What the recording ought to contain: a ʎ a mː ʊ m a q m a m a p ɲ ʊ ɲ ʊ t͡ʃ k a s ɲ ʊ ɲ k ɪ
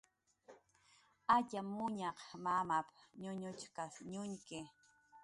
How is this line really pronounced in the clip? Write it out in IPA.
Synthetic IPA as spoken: a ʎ a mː ʊ ɲ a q m a m a p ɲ ʊ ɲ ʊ t͡ʃ k a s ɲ ʊ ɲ k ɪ